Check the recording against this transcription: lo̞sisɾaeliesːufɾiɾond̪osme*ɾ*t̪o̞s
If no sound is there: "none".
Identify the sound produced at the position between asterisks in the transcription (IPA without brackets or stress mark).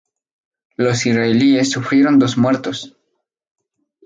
ɾ